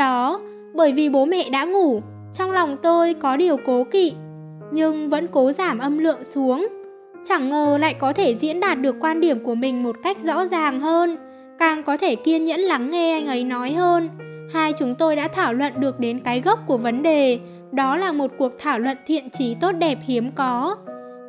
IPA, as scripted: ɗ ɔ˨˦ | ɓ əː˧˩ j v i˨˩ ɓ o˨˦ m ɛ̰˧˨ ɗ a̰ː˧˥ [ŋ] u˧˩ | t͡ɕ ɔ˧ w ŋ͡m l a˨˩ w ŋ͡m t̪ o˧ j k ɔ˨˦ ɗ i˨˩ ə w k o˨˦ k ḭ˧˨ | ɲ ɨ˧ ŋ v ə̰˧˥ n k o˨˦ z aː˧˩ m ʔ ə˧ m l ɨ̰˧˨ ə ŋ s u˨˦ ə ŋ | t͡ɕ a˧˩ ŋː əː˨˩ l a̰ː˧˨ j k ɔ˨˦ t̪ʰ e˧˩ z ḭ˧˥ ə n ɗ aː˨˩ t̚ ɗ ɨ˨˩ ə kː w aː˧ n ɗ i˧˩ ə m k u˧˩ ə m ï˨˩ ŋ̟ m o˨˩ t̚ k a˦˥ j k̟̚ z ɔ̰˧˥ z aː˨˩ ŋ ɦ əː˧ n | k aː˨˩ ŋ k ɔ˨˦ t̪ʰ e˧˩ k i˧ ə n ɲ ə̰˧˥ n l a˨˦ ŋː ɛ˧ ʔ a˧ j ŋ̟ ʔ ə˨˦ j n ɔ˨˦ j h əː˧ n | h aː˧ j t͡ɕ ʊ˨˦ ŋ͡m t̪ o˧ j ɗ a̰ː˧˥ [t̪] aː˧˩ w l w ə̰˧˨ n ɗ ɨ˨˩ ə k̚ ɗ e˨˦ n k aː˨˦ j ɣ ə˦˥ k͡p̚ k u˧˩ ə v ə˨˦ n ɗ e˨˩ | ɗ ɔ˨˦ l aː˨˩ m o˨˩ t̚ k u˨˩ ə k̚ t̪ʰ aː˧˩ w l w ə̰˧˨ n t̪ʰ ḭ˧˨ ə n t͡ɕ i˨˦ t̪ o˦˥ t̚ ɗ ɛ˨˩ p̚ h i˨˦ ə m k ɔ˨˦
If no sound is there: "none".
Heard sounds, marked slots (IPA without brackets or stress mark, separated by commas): ŋ, t̪ʰ